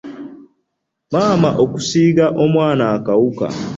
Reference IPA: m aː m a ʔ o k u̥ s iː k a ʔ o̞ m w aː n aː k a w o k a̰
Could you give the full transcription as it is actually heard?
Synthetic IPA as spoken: m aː m a ʔ o k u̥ s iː ɡ a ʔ o̞ m w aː n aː k a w u k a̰

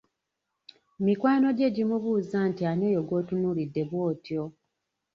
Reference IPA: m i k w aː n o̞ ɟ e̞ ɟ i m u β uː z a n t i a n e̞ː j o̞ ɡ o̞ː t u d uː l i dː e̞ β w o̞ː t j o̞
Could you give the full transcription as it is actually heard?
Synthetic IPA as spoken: m i k w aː n o̞ ɟ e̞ ɟ i m u β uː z a n t i a n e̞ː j o̞ ɡ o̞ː t u n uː l i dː e̞ β w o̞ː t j o̞

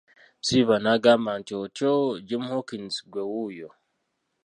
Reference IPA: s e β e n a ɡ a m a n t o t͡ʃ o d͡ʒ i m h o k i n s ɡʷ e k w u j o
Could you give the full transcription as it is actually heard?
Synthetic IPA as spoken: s i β a n a ɡ a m a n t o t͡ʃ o d͡ʒ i m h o k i n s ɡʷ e w u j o

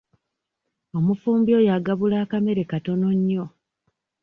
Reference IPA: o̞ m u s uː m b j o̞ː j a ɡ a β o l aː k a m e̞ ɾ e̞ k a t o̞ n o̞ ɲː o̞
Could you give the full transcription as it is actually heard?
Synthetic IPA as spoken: o̞ m u f uː m b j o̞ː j a ɡ a β u l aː k a m e̞ ɾ e̞ k a t o̞ n o̞ ɲː o̞

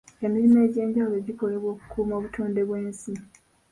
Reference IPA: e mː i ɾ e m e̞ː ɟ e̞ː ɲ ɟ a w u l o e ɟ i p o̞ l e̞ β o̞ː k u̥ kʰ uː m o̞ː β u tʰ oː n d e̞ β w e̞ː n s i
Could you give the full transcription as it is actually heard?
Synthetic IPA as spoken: e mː i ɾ i m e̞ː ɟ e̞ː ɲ ɟ a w u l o e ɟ i k o̞ l e̞ β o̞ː k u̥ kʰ uː m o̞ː β u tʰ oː n d e̞ β w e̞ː n s i

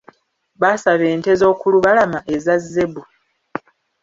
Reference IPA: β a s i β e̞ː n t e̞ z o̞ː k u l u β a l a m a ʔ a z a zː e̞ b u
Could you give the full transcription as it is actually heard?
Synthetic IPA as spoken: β a s a β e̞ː n t e̞ z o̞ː k u l u β a l a m a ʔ e z a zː e̞ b u

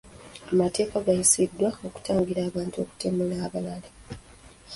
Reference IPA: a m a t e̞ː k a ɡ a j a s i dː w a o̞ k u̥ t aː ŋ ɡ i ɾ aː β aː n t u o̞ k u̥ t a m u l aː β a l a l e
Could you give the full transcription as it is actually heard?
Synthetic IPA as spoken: a m a t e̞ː k a ɡ a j i s i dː w a o̞ k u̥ t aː ŋ ɡ i ɾ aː β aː n t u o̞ k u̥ t e m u l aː β a l a l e

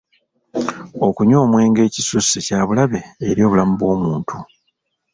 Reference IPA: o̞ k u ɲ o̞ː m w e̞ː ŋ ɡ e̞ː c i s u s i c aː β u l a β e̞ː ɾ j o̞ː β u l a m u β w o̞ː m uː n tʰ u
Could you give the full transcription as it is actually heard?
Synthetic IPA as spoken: o̞ k u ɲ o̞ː m w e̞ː ŋ ɡ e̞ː c i s u s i c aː β u l a β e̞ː ɾ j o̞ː β u l a m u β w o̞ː m uː n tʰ u

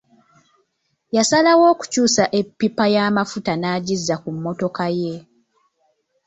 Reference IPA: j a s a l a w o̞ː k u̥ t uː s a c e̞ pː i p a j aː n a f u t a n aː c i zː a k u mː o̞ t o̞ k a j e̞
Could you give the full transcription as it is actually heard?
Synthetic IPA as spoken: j a s a l a w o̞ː k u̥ c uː s a ʔ e̞ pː i p a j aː m a f u t a n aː ɟ i zː a k u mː o̞ t o̞ k a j e̞

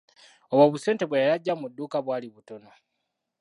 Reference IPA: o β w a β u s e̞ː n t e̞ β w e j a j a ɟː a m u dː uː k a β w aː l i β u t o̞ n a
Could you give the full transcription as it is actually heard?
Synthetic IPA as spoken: o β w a β u s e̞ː n t e̞ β w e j a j a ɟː a m u dː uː k a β w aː l i β u t o̞ n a

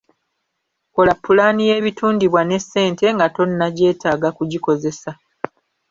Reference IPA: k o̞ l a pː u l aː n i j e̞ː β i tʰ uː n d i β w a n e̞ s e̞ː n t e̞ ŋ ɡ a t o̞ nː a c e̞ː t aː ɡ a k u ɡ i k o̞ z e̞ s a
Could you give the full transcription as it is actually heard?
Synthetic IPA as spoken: k o̞ l a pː u l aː n i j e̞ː β i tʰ uː n d i β w a n e̞ s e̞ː n t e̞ ŋ ɡ a t o̞ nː a ɟ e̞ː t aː ɡ a k u ɟ i k o̞ z e̞ s a

